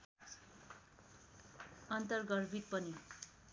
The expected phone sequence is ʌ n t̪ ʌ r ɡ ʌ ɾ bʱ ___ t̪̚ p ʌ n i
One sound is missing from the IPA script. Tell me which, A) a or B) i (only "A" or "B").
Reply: B